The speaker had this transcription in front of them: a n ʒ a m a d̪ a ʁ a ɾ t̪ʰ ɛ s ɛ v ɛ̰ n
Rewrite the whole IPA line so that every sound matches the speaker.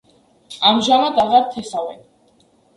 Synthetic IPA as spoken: a m ʒ a m a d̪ a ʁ a ɾ t̪ʰ ɛ s a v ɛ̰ n